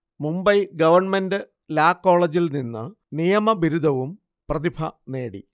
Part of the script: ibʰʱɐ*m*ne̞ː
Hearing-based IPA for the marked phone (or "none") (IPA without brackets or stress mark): none